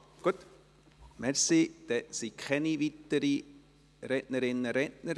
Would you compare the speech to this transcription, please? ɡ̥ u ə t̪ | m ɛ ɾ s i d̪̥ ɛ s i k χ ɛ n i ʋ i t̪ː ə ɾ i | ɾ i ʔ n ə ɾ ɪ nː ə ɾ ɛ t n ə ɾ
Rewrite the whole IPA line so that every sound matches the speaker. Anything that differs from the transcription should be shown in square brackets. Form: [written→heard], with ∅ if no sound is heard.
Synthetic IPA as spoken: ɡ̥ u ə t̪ | m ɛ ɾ s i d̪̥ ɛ s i k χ ɛ n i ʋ i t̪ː ə ɾ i | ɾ [i→ɛ] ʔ n ə ɾ ɪ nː ə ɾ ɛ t n ə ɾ